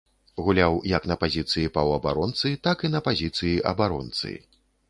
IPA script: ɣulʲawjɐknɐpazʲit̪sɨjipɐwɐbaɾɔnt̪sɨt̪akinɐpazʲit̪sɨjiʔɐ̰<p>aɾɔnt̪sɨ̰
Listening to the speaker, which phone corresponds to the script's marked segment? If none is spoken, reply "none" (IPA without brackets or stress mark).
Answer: b